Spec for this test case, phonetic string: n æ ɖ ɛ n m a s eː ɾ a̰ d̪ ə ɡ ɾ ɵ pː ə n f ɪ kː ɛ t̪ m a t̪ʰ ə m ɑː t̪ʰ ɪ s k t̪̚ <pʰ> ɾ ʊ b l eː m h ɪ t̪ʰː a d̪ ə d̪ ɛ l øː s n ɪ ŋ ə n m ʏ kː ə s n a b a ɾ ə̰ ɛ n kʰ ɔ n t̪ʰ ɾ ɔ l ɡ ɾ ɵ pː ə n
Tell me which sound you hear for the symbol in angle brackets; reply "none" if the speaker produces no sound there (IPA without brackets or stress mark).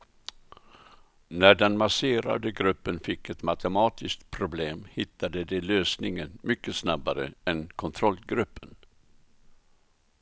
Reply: pʰ